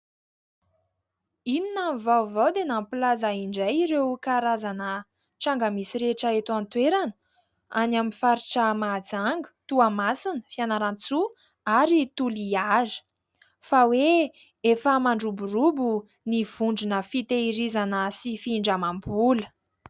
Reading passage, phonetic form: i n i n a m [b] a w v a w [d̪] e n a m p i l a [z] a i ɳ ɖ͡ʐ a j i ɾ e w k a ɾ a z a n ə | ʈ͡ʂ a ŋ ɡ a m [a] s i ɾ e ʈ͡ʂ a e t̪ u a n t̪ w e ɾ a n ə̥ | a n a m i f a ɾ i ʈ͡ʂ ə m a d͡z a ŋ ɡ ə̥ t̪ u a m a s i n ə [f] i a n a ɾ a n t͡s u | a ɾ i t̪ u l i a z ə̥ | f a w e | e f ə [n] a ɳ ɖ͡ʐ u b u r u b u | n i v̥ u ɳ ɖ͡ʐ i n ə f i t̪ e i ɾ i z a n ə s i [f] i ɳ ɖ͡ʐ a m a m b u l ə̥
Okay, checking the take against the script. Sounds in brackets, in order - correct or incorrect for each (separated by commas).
incorrect, correct, correct, incorrect, correct, incorrect, correct